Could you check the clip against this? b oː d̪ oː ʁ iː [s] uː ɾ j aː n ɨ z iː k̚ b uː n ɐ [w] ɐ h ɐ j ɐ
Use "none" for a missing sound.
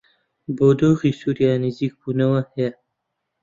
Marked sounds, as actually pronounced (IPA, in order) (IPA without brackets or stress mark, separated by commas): s, w